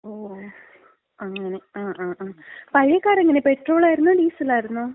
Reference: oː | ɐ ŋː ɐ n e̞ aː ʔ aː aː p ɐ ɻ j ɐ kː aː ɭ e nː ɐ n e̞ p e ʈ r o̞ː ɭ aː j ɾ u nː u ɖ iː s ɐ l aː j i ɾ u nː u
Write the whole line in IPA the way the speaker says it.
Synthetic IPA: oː | ɐ ŋː ɐ n e̞ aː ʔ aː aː p ɐ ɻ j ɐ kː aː ɾ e ŋː ɐ n e̞ p e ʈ r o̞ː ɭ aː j ɾ u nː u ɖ iː s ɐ l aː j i ɾ u nː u